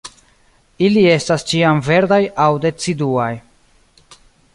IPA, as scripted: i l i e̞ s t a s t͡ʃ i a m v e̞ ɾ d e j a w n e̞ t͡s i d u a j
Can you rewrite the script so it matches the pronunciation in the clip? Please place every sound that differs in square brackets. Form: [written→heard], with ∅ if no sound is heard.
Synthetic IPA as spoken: i l i e̞ s t a s t͡ʃ i a m v e̞ ɾ d [e→a] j a w [n→d] e̞ t͡s i d u a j